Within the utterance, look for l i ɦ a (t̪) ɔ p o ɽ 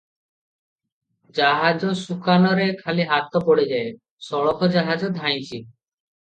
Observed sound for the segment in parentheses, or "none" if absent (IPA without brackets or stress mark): t̪